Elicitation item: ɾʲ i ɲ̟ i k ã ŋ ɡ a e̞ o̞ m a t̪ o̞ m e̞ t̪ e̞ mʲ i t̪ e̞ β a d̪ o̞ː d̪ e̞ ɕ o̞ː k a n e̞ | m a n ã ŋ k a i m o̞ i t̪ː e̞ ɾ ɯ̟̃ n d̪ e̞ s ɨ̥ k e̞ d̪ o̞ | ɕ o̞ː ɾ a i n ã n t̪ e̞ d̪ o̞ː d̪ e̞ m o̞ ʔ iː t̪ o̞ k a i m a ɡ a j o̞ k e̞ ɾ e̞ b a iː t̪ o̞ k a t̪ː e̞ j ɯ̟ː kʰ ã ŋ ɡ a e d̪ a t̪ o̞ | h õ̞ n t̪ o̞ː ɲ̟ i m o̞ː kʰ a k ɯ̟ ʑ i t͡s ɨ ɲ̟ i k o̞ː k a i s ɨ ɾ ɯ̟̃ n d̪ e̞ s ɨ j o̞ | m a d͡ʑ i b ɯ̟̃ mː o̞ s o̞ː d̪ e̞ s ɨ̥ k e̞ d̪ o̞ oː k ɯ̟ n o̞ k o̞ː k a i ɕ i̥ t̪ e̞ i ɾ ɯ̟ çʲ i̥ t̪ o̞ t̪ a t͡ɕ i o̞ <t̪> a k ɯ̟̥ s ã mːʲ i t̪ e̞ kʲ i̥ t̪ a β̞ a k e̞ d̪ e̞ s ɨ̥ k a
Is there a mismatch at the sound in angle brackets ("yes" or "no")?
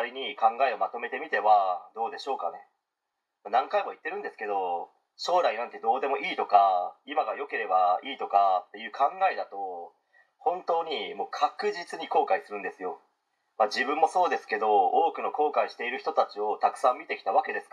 no